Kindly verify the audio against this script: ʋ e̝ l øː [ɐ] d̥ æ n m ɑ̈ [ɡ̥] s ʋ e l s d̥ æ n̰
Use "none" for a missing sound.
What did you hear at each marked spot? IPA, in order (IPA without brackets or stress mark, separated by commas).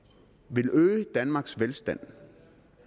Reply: ə, ɡ̥